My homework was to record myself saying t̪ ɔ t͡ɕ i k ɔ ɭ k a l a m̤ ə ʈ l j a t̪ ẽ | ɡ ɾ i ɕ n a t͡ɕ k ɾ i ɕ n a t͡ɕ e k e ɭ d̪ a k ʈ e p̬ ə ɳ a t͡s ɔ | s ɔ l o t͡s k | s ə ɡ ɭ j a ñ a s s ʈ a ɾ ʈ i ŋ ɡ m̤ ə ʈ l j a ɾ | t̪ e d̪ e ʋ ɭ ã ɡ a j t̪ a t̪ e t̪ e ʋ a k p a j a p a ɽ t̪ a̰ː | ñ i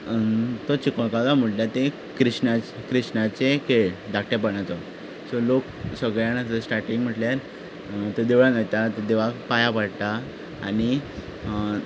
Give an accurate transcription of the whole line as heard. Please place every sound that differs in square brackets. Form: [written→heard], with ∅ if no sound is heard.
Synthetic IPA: t̪ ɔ t͡ɕ i k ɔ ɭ k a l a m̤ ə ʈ l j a t̪ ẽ | [ɡ→k] ɾ i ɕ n a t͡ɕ k ɾ i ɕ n a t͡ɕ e k e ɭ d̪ a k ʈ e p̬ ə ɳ a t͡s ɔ | s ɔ l o [t͡s→∅] k | s ə ɡ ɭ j a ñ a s s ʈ a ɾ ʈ i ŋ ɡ m̤ ə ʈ l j a ɾ | t̪ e d̪ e ʋ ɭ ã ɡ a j t̪ a t̪ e [t̪→d̪] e ʋ a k p a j a p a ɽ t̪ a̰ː | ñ i